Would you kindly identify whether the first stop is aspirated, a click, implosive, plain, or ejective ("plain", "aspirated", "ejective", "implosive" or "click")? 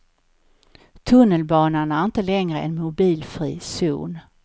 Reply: aspirated